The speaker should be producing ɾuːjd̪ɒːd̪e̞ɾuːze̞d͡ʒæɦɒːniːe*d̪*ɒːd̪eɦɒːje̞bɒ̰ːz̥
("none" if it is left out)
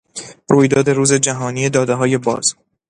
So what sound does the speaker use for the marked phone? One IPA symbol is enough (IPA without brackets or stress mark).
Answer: d̪